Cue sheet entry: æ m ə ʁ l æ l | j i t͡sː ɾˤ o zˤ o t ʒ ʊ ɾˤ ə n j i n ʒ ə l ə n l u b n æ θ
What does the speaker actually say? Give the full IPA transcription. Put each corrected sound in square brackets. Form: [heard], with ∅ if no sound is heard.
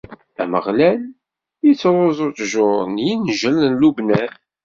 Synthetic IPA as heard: æ m ə ʁ l æ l | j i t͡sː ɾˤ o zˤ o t ʒ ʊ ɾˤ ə n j i n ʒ ə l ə n l u b n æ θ